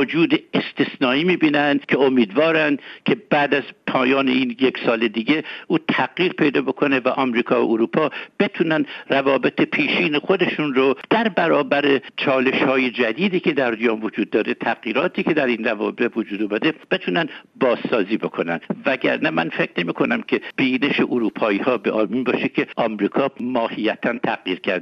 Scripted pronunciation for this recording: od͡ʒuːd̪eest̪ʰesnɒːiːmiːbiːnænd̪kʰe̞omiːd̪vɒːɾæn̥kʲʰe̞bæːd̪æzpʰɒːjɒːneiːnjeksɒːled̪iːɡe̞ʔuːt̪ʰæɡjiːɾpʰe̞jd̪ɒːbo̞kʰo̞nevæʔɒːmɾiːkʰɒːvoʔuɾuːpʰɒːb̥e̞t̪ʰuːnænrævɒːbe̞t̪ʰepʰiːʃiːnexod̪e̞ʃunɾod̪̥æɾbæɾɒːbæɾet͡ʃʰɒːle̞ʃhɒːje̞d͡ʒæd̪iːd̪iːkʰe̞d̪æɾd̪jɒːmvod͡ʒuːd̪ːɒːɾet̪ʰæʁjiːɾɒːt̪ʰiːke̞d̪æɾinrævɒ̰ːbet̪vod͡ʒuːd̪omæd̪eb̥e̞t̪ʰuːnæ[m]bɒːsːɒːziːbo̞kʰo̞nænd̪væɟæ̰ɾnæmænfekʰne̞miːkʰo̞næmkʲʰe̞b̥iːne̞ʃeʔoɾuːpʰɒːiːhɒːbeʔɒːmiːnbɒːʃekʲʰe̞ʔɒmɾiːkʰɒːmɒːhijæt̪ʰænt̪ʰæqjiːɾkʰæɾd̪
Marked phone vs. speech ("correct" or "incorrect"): incorrect